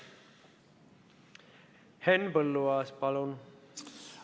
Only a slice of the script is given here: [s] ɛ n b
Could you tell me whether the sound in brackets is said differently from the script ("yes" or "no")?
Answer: yes